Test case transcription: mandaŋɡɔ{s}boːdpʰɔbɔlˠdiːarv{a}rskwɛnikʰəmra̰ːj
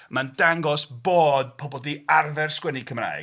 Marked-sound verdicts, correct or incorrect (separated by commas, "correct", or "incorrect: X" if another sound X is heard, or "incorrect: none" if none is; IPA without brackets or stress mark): correct, incorrect: ɛ